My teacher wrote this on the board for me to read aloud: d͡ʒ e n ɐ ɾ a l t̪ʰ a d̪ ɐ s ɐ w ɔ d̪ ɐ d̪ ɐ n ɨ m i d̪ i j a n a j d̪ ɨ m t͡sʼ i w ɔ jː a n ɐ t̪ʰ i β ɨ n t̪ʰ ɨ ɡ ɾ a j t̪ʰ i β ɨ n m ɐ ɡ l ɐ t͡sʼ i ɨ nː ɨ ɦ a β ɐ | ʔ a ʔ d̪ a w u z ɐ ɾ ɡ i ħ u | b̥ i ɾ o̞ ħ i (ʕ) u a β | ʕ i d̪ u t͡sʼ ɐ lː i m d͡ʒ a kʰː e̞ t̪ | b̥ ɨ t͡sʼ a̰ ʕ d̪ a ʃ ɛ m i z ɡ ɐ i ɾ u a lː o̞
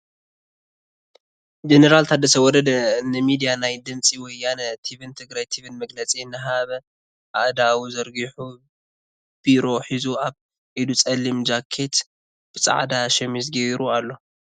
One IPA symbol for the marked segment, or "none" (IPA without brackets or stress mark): z